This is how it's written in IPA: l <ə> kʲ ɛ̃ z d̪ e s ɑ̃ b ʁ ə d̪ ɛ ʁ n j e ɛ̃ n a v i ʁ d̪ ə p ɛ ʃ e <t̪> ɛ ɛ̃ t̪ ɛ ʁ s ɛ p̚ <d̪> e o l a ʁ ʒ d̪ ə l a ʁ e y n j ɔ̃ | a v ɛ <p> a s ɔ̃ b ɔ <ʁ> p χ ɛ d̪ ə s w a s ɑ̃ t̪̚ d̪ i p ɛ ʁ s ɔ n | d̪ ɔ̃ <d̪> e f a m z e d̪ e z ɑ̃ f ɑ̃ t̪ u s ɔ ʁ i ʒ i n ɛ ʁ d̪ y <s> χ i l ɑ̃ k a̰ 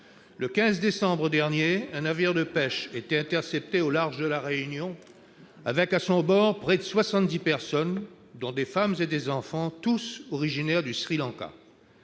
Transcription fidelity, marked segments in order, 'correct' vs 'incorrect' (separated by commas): correct, correct, incorrect, incorrect, correct, correct, correct